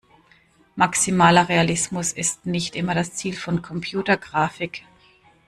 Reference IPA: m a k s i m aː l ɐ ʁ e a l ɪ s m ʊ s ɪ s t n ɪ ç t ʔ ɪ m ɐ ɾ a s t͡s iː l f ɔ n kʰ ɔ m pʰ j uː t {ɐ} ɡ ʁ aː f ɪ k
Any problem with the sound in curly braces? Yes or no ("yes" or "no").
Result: no